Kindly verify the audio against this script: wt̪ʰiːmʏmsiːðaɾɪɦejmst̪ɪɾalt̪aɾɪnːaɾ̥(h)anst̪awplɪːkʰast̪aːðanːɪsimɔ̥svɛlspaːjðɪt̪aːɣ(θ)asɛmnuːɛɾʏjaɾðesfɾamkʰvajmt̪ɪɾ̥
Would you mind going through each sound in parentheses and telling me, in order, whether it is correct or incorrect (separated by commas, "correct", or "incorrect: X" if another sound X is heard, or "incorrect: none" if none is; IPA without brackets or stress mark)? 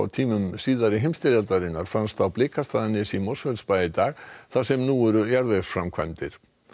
incorrect: f, correct